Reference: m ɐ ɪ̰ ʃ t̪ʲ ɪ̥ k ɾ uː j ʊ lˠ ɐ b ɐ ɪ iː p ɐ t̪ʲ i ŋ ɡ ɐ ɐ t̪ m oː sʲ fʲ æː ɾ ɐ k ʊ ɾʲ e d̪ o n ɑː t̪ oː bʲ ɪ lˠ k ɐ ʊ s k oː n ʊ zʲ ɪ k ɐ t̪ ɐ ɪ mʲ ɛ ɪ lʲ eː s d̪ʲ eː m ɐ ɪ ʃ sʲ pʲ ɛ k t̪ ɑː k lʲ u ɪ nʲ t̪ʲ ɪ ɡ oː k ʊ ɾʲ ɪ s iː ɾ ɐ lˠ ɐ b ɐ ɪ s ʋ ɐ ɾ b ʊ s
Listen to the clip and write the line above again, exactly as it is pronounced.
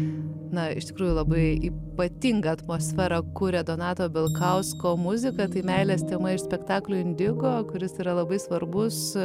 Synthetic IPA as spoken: n ɐ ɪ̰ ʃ t̪ʲ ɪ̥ k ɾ uː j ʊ lˠ ɐ b ɐ ɪ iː p ɐ t̪ʲ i ŋ ɡ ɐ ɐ t̪ m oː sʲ fʲ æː ɾ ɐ k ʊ ɾʲ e d̪ o n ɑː t̪ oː bʲ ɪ lˠ k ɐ ʊ s k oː m ʊ zʲ ɪ k ɐ t̪ ɐ ɪ mʲ ɛ ɪ lʲ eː s t̪ʲ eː m ɐ ɪ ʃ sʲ pʲ ɛ k t̪ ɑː k lʲ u ɪ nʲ d̪ʲ ɪ ɡ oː k ʊ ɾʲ ɪ s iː ɾ ɐ lˠ ɐ b ɐ ɪ s ʋ ɐ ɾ b ʊ s